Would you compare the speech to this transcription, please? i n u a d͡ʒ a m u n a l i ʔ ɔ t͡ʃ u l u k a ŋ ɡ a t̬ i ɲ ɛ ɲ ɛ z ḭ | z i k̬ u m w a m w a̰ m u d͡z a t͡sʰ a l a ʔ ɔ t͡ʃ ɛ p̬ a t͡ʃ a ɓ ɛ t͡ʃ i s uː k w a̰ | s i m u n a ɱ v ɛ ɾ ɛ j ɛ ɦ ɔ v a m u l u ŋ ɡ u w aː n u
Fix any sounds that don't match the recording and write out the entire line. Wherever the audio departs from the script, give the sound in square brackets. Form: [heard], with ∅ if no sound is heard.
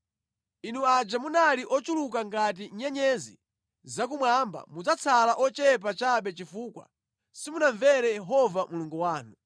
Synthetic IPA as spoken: i n u a d͡ʒ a m u n a l i ʔ ɔ t͡ʃ u l u k a ŋ ɡ a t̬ i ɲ ɛ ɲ ɛ z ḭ | z [a] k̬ u m w a m [b] a̰ m u d͡z a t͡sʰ a l a ʔ ɔ t͡ʃ ɛ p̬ a t͡ʃ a ɓ ɛ t͡ʃ i [f] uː k w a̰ | s i m u n a ɱ v ɛ ɾ ɛ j ɛ ɦ ɔ v a m u l u ŋ ɡ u w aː n u

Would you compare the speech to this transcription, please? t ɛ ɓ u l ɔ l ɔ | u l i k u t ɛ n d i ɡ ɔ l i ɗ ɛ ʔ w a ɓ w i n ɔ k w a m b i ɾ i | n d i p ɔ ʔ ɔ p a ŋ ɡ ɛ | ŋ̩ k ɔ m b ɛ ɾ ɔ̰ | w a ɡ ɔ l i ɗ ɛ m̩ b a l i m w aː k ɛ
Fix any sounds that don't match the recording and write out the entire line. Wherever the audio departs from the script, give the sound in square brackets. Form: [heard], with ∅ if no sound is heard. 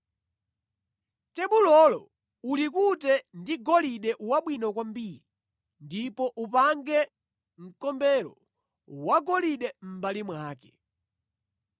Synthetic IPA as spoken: t ɛ ɓ u l ɔ l ɔ | u l i k u t ɛ n d i ɡ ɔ l i ɗ ɛ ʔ w a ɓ w i n ɔ k w a m b i ɾ i | n d i p ɔ ʔ [u] p a ŋ ɡ ɛ | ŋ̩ k ɔ m b ɛ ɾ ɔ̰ | w a ɡ ɔ l i ɗ ɛ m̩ b a l i m w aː k ɛ

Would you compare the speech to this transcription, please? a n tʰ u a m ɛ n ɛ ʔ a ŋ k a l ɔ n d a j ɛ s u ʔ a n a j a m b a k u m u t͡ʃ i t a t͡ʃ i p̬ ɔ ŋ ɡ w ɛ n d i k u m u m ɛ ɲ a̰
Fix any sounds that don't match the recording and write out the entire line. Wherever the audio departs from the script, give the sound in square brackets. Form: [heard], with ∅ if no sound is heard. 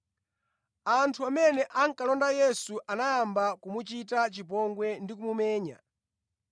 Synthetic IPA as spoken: a n tʰ u a m ɛ n ɛ ʔ a ŋ k a l ɔ n d a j ɛ s u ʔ a n a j a m b a k u m u t͡ʃ i t a t͡ʃ i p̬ ɔ ŋ ɡ w ɛ n d i k u m u m [ɛː] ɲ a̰

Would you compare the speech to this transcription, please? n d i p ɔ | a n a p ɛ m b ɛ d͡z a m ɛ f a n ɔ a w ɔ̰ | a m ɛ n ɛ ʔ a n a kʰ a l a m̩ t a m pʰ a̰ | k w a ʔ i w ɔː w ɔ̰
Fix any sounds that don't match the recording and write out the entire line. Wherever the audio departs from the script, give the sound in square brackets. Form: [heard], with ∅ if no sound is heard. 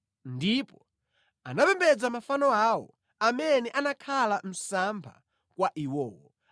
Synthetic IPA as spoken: n d i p ɔ | a n a p ɛ m b ɛ d͡z a m [a] f a n ɔ a w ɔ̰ | a m ɛ n ɛ ʔ a n a kʰ a l a m̩ [s] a m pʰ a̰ | k w a ʔ i w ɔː w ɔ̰

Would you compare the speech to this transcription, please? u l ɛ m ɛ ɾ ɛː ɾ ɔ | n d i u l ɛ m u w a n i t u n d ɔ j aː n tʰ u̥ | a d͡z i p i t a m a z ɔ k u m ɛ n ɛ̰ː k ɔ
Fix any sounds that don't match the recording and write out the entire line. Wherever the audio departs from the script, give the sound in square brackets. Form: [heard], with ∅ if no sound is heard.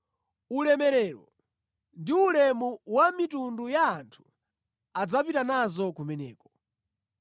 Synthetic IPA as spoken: u l ɛ m ɛ ɾ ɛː ɾ ɔ | n d i u l ɛ m u w a [m] i t u n d [u] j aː n tʰ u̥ | a d͡z [a] p i t a [n] a z ɔ k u m ɛ n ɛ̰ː k ɔ

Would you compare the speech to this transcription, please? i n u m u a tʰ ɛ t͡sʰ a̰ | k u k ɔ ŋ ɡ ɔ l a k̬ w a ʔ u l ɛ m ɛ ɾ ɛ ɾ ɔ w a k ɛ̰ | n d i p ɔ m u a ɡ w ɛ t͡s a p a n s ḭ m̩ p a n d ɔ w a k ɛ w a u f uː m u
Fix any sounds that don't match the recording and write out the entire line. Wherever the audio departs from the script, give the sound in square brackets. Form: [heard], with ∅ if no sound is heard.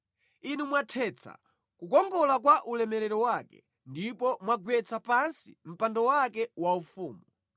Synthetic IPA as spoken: i n u m [w] a tʰ ɛ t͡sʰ a̰ | k u k ɔ ŋ ɡ ɔ l a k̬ w a ʔ u l ɛ m ɛ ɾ ɛ ɾ ɔ w a k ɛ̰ | n d i p ɔ m [w] a ɡ w ɛ t͡s a p a n s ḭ m̩ p a n d ɔ w a k ɛ w a u f uː m u

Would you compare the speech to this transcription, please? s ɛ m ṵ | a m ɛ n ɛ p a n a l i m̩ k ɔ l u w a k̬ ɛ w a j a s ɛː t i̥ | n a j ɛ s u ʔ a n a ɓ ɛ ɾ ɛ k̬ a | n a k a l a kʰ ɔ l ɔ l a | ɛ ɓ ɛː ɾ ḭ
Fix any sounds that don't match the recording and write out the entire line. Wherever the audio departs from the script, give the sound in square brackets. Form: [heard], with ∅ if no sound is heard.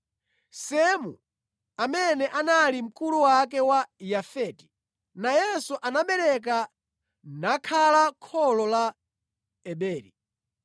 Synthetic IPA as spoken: s ɛ m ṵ | a m ɛ n ɛ [ʔ] a n a l i m̩ k [u] l u w a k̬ ɛ w a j a [f] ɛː t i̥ | n a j ɛ s u ʔ a n a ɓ ɛ ɾ ɛ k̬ a | n a [kʰ] a l a kʰ ɔ l ɔ l a | ɛ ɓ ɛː ɾ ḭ

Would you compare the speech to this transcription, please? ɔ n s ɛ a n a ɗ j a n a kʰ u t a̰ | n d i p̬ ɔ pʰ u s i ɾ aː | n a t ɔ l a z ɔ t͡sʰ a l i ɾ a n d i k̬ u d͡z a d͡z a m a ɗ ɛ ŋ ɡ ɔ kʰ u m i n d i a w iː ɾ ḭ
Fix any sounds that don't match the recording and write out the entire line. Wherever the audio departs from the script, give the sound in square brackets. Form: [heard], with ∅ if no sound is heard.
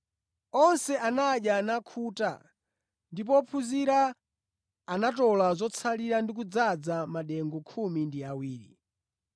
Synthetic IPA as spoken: ɔ n s ɛ a n a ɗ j a n a kʰ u t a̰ | n d i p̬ ɔ pʰ u [z] i ɾ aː | n a t ɔ l a z ɔ t͡sʰ a l i ɾ a n d i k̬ u d͡z a d͡z a m a ɗ ɛ ŋ ɡ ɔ kʰ u m i n d i a w iː ɾ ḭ

